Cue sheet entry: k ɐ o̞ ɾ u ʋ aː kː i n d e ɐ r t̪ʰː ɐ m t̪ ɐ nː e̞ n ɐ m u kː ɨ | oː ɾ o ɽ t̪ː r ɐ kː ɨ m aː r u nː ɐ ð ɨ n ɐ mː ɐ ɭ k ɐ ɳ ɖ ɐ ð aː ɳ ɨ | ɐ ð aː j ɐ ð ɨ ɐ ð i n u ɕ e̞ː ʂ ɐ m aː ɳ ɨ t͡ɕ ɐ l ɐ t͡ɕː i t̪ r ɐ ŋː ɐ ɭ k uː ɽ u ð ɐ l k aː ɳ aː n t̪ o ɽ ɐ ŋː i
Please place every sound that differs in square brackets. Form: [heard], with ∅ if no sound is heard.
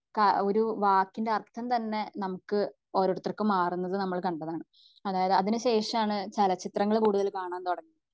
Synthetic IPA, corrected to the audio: k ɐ o̞ ɾ u ʋ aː kː i n d e ɐ r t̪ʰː ɐ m t̪ ɐ nː e̞ n ɐ m u kː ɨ | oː ɾ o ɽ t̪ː r ɐ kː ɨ m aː r u nː ɐ ð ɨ n ɐ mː ɐ ɭ k ɐ ɳ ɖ ɐ ð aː ɳ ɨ | ɐ ð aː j ɐ ð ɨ ɐ ð i n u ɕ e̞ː ʂ ɐ m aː ɳ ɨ t͡ɕ ɐ l ɐ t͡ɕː i t̪ r ɐ ŋː ɐ ɭ k uː ɽ u ð ɐ l k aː ɳ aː n t̪ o ɽ ɐ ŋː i

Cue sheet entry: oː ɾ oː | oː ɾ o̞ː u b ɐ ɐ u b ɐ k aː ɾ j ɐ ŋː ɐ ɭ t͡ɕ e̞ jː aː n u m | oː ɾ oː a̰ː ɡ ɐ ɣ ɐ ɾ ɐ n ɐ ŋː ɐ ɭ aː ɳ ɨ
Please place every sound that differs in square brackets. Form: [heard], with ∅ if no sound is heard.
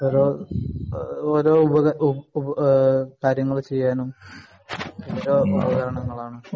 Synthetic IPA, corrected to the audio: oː ɾ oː | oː ɾ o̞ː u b ɐ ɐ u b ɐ k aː ɾ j ɐ ŋː ɐ ɭ t͡ɕ e̞ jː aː n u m | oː ɾ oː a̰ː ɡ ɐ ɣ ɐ ɾ ɐ [ɳ] ɐ ŋː ɐ ɭ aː ɳ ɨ

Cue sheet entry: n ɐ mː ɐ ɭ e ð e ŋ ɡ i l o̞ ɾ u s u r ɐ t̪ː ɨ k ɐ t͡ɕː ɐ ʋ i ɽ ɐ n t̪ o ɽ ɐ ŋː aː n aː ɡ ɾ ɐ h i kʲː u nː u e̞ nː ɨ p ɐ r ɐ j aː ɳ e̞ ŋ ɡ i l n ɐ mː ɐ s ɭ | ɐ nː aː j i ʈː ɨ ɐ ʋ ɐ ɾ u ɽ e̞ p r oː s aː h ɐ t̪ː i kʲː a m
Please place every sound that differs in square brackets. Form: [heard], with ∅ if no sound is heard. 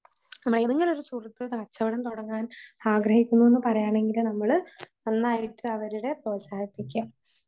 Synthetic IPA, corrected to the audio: n ɐ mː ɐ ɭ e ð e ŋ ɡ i l o̞ ɾ u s u r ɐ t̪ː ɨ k ɐ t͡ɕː ɐ ʋ i ɽ ɐ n t̪ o ɽ ɐ ŋː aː n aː ɡ ɾ ɐ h i kʲː u nː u e̞ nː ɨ p ɐ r ɐ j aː ɳ e̞ ŋ ɡ i l n ɐ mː ɐ [∅] ɭ | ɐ nː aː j i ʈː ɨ ɐ ʋ ɐ ɾ u ɽ e̞ p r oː s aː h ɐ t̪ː i kʲː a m

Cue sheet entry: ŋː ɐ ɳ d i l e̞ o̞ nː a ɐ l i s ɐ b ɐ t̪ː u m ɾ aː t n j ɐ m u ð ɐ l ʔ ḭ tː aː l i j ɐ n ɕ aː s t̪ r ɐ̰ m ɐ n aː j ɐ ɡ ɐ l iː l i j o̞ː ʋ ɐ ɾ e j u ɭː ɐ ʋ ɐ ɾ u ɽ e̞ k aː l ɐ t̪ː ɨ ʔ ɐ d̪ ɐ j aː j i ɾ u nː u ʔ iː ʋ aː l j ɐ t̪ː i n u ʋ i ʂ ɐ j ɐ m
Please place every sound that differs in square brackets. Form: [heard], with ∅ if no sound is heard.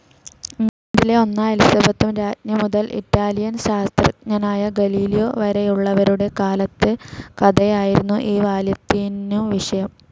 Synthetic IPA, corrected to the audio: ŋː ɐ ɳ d i l e̞ o̞ nː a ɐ l i s ɐ b ɐ t̪ː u m ɾ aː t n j ɐ m u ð ɐ l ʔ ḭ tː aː l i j ɐ n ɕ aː s t̪ r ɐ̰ [ɲ] ɐ n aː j ɐ ɡ ɐ l iː l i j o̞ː ʋ ɐ ɾ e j u ɭː ɐ ʋ ɐ ɾ u ɽ e̞ k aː l ɐ t̪ː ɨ [k] ɐ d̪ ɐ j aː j i ɾ u nː u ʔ iː ʋ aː l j ɐ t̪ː i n u ʋ i ʂ ɐ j ɐ m

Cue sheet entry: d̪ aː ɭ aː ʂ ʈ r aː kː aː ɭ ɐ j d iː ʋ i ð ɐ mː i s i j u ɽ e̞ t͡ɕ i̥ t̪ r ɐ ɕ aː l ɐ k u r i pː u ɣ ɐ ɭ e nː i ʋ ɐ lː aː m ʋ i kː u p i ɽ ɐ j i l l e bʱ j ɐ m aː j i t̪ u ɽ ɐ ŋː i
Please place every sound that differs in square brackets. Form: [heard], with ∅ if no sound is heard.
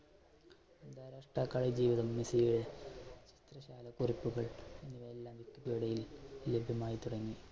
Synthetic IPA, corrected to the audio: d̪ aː [ɾ] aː ʂ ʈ r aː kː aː ɭ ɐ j [d͡ʑ] iː ʋ i ð ɐ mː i s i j u ɽ e̞ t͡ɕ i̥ t̪ r ɐ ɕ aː l ɐ k u r i pː u ɣ ɐ ɭ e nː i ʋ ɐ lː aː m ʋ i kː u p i ɽ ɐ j i l l e bʱ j ɐ m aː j i t̪ u ɽ ɐ ŋː i

